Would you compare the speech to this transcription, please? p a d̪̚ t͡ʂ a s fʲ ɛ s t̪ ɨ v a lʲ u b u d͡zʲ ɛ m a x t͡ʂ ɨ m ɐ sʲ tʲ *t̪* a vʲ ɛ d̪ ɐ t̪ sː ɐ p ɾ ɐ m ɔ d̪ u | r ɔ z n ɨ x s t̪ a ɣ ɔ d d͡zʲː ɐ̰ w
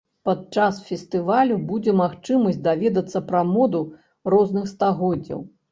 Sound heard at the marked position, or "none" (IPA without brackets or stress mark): d̪